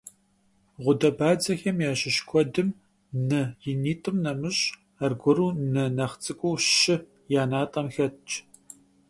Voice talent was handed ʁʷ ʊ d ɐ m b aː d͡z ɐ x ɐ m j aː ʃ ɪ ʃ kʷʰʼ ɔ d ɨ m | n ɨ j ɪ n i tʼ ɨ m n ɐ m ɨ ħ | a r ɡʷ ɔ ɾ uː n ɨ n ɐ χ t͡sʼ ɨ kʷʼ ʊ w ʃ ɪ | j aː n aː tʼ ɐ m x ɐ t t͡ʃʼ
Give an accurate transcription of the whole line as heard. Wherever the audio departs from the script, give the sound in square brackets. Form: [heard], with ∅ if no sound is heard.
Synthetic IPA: ʁʷ ʊ d ɐ [∅] b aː d͡z ɐ x ɐ m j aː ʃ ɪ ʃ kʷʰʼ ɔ d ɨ m | n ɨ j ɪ n [iː] tʼ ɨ m n ɐ m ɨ [ɕ] | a r ɡʷ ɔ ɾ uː n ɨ n ɐ χ t͡sʼ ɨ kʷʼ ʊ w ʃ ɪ | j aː n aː tʼ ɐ m x ɐ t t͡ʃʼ